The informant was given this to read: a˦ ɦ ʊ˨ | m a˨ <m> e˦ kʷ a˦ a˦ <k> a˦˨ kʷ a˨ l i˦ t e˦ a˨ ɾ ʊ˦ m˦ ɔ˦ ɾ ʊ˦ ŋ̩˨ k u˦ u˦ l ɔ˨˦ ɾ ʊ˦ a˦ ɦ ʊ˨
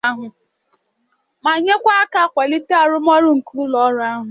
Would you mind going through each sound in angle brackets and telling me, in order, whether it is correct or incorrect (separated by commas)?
incorrect, correct